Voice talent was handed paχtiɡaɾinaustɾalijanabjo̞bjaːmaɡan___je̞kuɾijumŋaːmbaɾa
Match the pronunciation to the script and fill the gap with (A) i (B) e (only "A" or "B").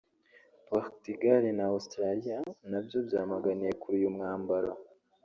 A